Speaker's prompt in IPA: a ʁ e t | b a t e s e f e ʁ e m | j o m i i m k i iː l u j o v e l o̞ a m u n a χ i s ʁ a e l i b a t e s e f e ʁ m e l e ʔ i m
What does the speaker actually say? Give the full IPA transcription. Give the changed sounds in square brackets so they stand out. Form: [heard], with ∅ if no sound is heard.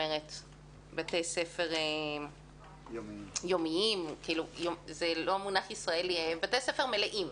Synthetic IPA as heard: [e] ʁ e t | b a t e s e f e ʁ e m | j o m i i m k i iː l u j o [z] e l o̞ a m u n a χ i s ʁ a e l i b a t e s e f e ʁ m e l e ʔ i m